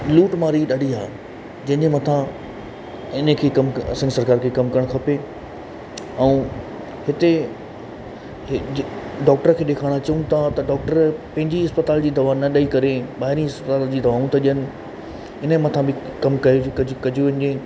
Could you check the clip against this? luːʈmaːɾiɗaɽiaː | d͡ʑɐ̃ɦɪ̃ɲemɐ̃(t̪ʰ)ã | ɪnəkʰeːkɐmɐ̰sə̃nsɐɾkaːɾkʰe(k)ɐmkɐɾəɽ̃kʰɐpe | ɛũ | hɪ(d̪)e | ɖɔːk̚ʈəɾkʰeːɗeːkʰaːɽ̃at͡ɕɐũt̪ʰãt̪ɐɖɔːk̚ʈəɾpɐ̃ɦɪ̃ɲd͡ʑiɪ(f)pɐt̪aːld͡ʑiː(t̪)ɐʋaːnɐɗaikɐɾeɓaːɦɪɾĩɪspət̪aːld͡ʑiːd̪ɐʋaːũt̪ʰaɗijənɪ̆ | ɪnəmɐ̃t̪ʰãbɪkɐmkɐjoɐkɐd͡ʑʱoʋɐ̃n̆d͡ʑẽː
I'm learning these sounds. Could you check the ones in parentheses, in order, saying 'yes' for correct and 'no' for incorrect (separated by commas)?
yes, yes, no, no, no